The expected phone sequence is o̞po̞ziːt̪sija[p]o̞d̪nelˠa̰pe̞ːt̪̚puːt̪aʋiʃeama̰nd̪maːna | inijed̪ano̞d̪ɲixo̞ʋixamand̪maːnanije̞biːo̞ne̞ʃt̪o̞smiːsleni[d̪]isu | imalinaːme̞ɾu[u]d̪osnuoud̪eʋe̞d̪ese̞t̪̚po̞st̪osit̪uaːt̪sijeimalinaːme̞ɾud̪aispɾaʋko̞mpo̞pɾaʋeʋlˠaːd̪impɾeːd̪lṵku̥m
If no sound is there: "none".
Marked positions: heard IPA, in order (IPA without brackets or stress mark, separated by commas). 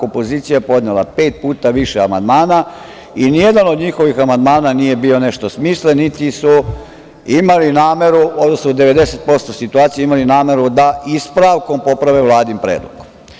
p, t̪, o